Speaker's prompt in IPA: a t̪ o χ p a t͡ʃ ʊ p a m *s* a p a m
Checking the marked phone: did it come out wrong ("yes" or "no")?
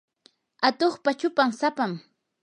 no